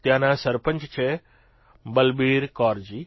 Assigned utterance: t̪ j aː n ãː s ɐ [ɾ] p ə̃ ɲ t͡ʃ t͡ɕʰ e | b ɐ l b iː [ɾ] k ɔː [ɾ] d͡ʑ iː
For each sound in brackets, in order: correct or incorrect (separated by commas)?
correct, correct, correct